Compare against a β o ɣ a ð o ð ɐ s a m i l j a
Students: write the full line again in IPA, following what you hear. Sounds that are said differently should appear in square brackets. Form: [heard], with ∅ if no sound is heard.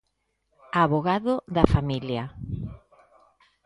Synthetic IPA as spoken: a β o ɣ a ð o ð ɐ [f] a m i l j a

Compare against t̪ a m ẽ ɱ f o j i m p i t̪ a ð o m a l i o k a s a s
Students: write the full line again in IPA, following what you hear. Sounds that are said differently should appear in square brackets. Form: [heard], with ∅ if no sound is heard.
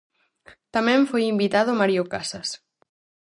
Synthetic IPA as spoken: t̪ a m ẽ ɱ f o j i m [b] i t̪ a ð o m a [ɾ] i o k a s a s

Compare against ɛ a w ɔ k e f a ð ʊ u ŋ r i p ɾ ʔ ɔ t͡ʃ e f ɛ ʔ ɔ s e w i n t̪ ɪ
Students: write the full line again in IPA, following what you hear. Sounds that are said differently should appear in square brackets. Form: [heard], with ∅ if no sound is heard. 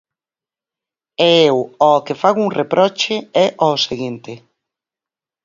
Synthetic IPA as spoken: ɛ [e] w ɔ k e f a [ɣ] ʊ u ŋ r [e] p ɾ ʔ ɔ t͡ʃ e [∅] ɛ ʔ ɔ s e [ɣ] i n t̪ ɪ

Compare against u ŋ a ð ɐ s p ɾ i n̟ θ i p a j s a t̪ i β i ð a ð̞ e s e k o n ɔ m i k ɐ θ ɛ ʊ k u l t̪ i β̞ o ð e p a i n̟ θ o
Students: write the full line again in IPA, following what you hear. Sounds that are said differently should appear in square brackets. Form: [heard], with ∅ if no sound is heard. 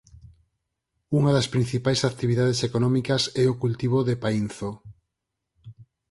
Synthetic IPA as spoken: u ŋ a ð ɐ s p ɾ i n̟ θ i p a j s a t̪ i β i ð a ð̞ e s e k o n ɔ m i k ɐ [s] ɛ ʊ k u l t̪ i β̞ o ð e p a i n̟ θ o

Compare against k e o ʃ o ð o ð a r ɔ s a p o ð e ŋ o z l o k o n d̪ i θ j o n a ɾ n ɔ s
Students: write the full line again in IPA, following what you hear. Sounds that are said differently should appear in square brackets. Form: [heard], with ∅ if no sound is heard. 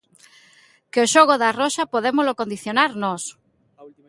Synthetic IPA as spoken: k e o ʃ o [ɣ] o ð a r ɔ [ʃ] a p o ð e [m] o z l o k o n d̪ i θ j o n a ɾ n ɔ s

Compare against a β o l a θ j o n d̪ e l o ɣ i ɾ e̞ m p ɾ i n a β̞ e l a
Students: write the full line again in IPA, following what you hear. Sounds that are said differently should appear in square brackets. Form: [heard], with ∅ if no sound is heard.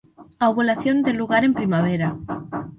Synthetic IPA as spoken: a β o l a θ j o n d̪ e l [u] ɣ [a] ɾ e̞ m p ɾ i [m] a β̞ e [ɾ] a

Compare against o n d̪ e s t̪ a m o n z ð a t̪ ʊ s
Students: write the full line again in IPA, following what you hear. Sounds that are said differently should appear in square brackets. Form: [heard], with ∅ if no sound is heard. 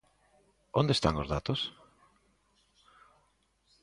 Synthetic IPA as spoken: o n d̪ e s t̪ a [ŋ] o [∅] z ð a t̪ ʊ s

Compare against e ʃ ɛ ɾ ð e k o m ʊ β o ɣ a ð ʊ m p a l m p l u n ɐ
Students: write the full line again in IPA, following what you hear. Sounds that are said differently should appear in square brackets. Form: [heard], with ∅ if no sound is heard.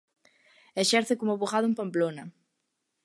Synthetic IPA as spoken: e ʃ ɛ ɾ [θ] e k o m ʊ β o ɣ a ð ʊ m p a [∅] m p l [o] n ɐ

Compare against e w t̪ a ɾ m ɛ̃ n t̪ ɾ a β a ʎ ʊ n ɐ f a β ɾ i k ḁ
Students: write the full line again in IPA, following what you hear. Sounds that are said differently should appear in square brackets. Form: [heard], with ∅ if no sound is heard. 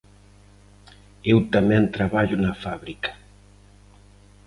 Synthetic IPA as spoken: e w t̪ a [∅] m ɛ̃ n t̪ ɾ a β a ʎ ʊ n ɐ f a β ɾ i k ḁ

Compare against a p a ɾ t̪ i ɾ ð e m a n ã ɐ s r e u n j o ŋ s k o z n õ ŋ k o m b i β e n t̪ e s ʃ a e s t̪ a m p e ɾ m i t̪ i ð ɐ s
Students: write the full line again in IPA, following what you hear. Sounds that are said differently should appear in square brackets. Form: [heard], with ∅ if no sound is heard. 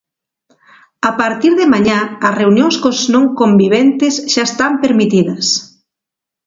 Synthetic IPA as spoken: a p a ɾ t̪ i ɾ ð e m a [ɲ] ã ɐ s r e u n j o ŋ s k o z n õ ŋ k o m b i β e n t̪ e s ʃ a e s t̪ a m p e ɾ m i t̪ i ð ɐ s

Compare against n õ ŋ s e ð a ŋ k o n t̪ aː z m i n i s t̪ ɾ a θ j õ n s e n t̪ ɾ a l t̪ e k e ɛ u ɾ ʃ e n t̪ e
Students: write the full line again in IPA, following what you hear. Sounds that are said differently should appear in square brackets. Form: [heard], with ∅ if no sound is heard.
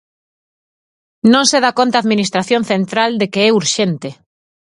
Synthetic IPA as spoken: n õ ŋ s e ð a [∅] k o n t̪ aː [ð] m i n i s t̪ ɾ a θ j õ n [θ] e n t̪ ɾ a l [d̪] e k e ɛ u ɾ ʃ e n t̪ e

